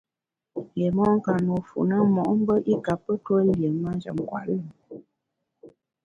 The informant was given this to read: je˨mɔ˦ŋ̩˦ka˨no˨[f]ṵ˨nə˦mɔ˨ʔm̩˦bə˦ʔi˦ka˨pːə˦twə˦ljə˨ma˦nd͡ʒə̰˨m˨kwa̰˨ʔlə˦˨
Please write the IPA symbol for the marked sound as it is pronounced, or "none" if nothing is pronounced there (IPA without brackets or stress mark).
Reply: f